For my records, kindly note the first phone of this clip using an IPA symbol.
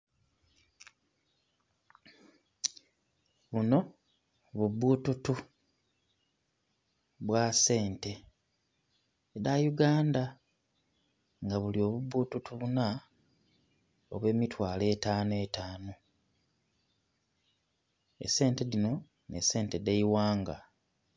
β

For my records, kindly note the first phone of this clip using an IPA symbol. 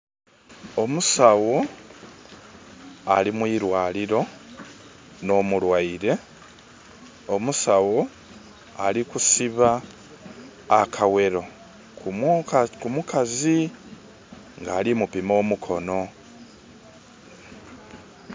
o̞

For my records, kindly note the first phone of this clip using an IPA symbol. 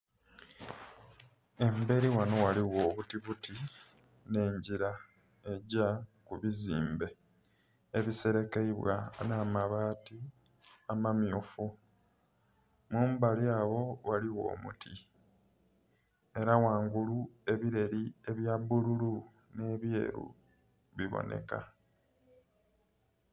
e̞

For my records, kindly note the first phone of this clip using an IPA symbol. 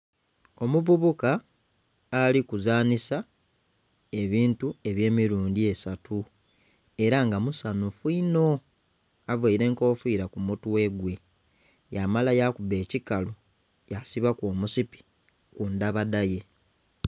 o̞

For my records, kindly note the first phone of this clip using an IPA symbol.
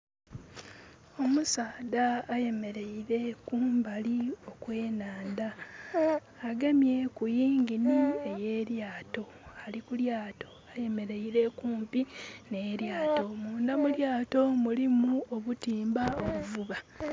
o̞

